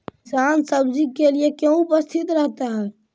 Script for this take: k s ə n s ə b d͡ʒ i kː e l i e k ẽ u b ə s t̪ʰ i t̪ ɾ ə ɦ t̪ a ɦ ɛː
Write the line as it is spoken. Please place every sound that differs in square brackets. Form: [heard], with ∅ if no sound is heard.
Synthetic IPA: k s [a] n s ə b d͡ʒ i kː e l i e k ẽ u [p] ə s t̪ʰ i t̪ ɾ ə ɦ t̪ a ɦ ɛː